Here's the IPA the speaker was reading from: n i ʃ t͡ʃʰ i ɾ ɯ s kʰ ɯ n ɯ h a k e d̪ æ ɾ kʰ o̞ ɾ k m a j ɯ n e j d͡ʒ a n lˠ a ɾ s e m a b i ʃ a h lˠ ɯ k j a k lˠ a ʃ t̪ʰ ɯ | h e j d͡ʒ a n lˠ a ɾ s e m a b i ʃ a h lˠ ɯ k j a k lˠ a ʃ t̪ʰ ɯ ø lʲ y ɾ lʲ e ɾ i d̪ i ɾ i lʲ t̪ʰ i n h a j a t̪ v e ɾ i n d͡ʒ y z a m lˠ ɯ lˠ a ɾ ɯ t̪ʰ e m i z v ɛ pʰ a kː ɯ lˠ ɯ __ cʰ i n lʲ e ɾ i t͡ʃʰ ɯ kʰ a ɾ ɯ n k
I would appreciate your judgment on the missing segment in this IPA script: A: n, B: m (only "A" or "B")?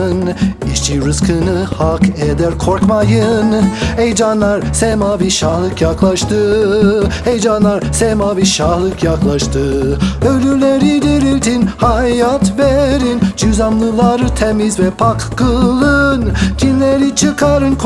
A